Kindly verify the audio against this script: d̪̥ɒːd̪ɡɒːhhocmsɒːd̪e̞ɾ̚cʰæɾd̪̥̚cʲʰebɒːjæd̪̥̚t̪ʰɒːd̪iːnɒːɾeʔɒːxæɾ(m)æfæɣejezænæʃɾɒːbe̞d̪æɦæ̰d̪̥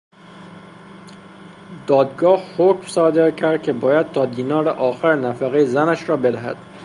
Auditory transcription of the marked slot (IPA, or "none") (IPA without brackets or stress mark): n